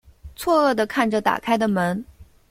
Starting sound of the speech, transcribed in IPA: t͡sʰ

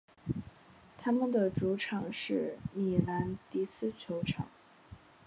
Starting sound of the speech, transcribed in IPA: t̪ʰ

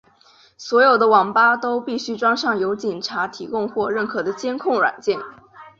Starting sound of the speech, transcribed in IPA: s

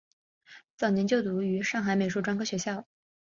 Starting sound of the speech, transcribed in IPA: t͡s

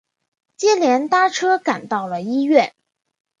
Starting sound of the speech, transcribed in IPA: t͡ɕ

